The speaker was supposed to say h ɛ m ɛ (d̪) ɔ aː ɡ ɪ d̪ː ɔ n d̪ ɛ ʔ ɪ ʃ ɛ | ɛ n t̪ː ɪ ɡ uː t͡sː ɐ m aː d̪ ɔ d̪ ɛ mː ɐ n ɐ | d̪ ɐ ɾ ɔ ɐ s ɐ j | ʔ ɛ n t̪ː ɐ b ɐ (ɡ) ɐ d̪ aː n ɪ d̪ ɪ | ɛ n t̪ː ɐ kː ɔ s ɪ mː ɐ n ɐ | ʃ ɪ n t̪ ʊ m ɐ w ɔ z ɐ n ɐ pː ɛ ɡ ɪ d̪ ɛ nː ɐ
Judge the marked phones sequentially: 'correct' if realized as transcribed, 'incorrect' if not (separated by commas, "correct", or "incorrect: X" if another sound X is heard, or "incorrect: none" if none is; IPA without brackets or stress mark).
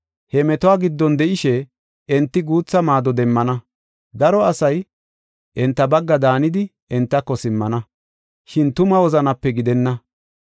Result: incorrect: t̪, incorrect: ɡː